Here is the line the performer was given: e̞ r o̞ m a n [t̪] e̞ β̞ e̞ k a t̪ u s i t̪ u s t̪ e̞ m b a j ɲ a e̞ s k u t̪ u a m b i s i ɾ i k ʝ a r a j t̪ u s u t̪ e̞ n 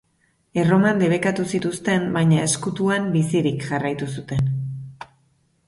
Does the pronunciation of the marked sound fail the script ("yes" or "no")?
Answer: yes